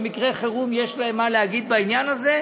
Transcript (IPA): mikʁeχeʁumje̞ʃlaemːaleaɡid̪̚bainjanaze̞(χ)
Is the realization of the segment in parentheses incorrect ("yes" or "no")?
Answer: yes